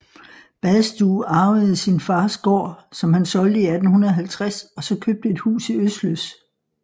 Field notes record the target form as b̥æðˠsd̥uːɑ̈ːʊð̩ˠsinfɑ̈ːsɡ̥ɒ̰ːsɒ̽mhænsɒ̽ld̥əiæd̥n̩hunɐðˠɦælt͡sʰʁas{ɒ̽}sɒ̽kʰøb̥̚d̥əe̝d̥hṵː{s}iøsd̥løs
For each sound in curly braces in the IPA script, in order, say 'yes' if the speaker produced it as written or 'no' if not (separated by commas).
yes, yes